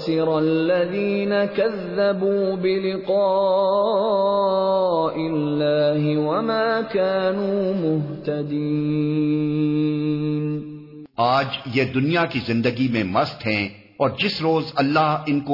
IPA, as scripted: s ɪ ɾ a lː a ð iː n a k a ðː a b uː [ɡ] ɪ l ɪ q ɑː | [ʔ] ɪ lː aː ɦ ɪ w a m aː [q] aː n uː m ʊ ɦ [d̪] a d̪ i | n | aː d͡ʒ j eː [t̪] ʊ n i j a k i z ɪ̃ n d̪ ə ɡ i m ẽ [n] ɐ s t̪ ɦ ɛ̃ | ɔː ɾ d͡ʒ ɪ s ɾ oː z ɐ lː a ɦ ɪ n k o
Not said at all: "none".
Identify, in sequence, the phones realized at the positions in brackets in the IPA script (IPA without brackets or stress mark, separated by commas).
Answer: b, ʔ, k, t̪, d̪, m